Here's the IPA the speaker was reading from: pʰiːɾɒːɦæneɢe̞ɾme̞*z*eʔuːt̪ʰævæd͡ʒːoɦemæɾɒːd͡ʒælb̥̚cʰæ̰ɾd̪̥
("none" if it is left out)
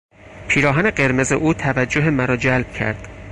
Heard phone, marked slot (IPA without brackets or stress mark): z